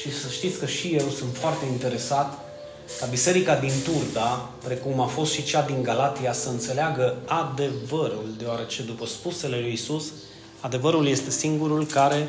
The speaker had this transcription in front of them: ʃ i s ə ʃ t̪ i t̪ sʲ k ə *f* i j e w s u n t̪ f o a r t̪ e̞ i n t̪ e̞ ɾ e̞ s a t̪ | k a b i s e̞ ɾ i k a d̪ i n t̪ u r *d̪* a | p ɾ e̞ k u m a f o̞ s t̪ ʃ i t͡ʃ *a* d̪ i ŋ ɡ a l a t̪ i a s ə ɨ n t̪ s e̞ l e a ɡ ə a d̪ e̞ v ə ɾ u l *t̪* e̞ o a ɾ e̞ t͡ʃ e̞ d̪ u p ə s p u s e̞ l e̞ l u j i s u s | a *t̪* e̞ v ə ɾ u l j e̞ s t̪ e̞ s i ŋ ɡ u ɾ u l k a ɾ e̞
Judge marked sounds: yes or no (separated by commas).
no, yes, yes, no, no